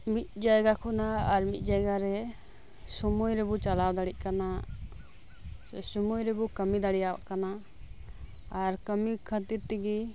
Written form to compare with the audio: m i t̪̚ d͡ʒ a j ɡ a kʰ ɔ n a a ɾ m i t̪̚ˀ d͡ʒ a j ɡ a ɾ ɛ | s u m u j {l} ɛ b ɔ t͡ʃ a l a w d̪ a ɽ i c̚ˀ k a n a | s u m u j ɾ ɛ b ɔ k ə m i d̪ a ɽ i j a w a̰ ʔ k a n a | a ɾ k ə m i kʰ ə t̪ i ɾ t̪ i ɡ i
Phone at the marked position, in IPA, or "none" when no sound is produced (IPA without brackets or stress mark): ɾ